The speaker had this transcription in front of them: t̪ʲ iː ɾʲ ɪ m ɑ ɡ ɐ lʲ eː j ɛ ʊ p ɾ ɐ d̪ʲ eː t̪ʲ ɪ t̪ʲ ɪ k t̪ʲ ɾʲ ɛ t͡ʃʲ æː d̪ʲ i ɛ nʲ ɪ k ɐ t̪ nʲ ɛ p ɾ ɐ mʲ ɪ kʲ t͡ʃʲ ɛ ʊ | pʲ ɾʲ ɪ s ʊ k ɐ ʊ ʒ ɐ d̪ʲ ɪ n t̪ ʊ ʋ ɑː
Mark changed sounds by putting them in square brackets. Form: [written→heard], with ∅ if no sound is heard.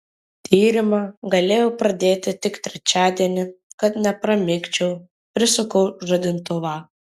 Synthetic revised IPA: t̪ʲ iː ɾʲ ɪ m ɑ ɡ ɐ lʲ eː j ɛ ʊ p ɾ ɐ d̪ʲ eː t̪ʲ ɪ t̪ʲ ɪ k t̪ʲ ɾʲ ɛ t͡ʃʲ æː d̪ʲ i ɛ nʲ ɪ k ɐ t̪ nʲ ɛ p ɾ ɐ mʲ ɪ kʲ t͡ʃʲ ɛ ʊ | pʲ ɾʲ ɪ s ʊ k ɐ ʊ ʒ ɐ d̪ʲ ɪ n t̪ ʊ ʋ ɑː